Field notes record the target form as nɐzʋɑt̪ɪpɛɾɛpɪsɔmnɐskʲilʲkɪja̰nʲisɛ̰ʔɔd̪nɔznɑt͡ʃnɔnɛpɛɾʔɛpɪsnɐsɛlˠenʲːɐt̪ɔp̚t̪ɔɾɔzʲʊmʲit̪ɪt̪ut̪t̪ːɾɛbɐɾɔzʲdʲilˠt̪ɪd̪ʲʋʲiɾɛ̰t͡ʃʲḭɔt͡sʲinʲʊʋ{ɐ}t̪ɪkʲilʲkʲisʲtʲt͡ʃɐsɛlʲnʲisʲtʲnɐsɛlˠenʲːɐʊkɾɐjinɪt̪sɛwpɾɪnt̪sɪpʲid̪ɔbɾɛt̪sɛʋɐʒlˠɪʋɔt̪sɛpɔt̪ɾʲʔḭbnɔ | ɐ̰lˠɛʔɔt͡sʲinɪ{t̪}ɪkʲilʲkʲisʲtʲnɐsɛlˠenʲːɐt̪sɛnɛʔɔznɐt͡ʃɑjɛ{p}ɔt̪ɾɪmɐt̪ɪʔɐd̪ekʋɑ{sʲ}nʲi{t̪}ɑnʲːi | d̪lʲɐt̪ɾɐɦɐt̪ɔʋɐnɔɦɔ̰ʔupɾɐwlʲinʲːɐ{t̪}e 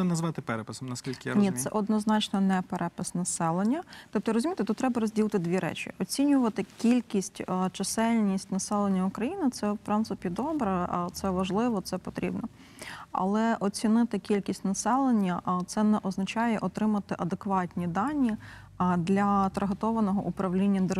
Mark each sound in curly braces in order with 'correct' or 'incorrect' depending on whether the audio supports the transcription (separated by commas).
correct, correct, incorrect, incorrect, incorrect, incorrect